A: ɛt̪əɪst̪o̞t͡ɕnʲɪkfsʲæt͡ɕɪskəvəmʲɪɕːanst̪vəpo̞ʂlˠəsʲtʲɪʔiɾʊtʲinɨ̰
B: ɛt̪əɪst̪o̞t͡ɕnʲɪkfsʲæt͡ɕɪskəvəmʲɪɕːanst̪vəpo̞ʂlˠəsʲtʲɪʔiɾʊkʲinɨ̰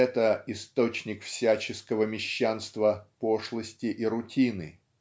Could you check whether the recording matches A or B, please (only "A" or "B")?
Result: A